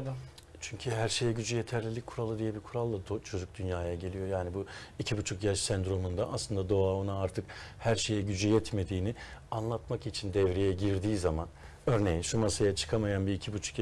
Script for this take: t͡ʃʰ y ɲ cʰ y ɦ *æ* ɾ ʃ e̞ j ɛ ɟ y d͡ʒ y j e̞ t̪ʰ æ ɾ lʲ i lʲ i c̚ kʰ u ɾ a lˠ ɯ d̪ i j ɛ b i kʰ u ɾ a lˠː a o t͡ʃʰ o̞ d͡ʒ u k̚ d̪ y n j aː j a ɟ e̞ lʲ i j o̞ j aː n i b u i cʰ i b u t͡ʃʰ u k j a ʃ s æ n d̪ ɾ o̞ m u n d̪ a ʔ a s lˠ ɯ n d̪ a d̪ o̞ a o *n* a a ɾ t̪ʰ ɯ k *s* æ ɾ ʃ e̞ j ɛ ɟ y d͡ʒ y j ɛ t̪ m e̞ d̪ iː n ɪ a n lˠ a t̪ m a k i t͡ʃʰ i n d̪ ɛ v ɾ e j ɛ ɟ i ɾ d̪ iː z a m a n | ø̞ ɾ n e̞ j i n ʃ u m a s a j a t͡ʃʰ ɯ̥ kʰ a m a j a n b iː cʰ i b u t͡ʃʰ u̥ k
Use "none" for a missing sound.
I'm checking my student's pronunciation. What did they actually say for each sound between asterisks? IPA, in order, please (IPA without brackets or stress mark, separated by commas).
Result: æ, n, h